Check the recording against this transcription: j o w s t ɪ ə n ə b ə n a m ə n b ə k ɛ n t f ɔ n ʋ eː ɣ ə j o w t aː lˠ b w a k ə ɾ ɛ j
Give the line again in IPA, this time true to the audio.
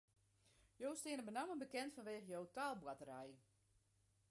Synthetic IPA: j o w s t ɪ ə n ə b ə n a m ə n b ə k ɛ n t f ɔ n ʋ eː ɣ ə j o w t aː lˠ b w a t ə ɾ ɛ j